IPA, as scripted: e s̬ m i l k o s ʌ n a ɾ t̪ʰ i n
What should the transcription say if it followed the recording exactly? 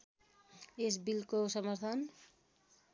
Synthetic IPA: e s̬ b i l k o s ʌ m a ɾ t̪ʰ a n